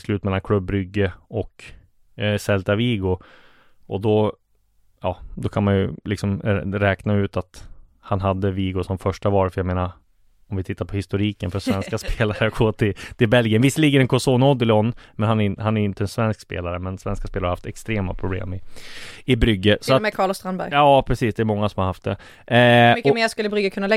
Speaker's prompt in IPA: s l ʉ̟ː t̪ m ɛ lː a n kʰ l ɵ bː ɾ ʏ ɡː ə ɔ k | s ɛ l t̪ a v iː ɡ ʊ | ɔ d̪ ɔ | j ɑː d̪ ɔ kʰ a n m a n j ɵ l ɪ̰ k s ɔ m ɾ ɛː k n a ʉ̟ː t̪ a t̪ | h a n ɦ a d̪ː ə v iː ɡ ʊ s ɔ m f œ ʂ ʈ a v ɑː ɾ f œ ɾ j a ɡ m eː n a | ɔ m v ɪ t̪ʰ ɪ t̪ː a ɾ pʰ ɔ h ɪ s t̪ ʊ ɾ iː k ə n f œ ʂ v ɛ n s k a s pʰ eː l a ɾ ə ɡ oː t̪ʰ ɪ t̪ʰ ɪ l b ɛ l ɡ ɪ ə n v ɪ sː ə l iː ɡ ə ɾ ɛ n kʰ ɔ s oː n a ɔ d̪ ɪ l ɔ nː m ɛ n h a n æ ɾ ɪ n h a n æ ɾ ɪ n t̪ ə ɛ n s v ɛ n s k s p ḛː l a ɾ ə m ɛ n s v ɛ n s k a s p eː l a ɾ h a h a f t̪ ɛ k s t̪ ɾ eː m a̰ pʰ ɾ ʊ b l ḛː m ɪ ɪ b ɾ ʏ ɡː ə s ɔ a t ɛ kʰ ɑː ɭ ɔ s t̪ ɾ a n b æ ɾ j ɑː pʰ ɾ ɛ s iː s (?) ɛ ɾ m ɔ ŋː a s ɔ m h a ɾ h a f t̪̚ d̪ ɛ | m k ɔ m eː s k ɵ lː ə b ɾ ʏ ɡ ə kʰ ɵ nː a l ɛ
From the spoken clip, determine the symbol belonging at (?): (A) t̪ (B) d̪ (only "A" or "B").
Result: B